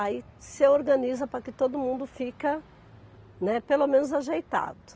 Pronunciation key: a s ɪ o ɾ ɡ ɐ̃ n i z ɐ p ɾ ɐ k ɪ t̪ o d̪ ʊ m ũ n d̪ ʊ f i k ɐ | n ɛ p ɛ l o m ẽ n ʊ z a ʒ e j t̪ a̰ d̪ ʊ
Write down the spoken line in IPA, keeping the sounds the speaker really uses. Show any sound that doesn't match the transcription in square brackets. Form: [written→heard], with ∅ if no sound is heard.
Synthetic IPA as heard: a s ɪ o ɾ ɡ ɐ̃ n i z ɐ p ɾ ɐ k ɪ t̪ o d̪ ʊ m ũ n d̪ ʊ f i k ɐ | n ɛ p [ɛ→e] l o m ẽ n ʊ z a ʒ e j t̪ a̰ d̪ ʊ

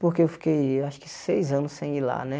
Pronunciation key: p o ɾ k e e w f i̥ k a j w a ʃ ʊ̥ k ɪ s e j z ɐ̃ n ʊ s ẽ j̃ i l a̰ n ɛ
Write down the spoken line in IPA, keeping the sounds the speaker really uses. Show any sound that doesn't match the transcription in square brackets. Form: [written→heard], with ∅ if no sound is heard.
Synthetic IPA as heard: p o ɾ k e e w f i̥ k [a→e] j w a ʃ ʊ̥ k ɪ s e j z ɐ̃ n ʊ s ẽ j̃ i l a̰ n ɛ

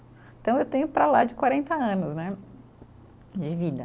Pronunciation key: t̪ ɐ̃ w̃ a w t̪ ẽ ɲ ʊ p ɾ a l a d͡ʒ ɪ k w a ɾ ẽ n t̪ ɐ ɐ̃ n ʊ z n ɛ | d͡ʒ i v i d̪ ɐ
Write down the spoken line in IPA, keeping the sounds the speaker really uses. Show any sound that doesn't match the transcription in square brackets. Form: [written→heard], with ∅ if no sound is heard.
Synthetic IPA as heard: t̪ ɐ̃ w̃ [a→e] w t̪ ẽ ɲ ʊ p ɾ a l a d͡ʒ ɪ k w a ɾ ẽ n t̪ ɐ ɐ̃ n ʊ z n ɛ | d͡ʒ [i→ɪ] v i d̪ ɐ

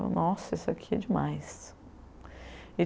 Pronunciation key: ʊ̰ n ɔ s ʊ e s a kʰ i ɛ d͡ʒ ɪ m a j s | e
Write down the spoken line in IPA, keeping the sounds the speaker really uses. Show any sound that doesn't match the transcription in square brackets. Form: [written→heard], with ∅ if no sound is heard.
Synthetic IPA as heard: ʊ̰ n ɔ s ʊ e s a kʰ i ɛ d͡ʒ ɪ m a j s | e

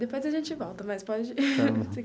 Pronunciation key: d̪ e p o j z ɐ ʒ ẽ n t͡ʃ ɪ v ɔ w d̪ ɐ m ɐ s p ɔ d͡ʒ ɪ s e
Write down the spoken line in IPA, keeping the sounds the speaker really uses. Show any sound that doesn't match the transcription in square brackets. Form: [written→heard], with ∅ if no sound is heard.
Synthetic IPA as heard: d̪ e p o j z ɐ ʒ ẽ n t͡ʃ ɪ v ɔ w [d̪→t̪] ɐ m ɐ s p ɔ d͡ʒ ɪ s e

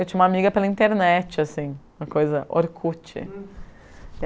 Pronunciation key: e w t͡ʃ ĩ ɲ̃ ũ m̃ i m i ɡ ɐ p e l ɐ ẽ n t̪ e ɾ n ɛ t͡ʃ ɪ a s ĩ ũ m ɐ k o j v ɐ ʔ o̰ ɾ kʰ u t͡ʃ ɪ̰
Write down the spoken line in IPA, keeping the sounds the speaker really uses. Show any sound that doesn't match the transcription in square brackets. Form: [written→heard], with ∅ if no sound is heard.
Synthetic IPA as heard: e w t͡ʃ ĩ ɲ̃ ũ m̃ [i→a] m i ɡ ɐ p e l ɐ [ẽ→ĩ] n t̪ e ɾ n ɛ t͡ʃ ɪ a s ĩ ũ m ɐ k o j [v→z] ɐ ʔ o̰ ɾ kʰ u t͡ʃ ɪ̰

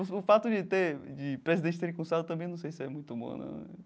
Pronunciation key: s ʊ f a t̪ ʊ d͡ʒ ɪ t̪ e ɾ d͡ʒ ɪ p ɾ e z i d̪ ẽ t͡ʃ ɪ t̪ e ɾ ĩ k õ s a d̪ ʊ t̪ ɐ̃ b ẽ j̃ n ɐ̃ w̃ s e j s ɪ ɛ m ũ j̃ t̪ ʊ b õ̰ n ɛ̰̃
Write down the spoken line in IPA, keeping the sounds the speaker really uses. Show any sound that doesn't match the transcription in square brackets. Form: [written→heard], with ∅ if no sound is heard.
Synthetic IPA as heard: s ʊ f a t̪ ʊ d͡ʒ ɪ t̪ e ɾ d͡ʒ ɪ p ɾ e z i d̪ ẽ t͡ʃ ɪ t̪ e ɾ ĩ k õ s a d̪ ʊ t̪ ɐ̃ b ẽ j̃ n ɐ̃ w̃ s e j s ɪ ɛ m ũ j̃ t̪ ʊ b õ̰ n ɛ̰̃

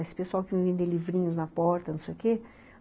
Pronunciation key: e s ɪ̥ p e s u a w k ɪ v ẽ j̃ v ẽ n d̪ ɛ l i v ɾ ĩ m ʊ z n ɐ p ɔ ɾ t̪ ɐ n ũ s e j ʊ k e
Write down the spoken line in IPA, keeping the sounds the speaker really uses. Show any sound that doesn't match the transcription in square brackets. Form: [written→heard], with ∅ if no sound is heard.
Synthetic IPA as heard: e s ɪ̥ p e s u a w k ɪ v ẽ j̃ v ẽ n d̪ [ɛ→e] l i v ɾ ĩ [m→ɲ] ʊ z n ɐ p ɔ ɾ t̪ ɐ n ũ s e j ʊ k e

